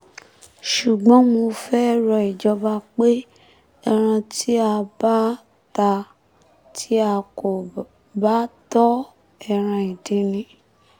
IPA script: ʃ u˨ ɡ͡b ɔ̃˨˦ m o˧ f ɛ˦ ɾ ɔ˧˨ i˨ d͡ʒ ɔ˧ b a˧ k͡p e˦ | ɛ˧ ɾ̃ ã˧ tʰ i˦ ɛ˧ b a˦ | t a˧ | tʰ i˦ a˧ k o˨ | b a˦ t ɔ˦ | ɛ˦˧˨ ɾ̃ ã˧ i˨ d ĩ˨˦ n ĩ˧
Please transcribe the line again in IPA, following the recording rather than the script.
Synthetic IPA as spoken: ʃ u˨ ɡ͡b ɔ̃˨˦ m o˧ f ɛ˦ ɾ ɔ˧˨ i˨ d͡ʒ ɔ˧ b a˧ k͡p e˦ | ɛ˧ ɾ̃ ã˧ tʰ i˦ a˧ b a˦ | t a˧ | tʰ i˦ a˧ k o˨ | b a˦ t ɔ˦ | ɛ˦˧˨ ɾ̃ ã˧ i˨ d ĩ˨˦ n ĩ˧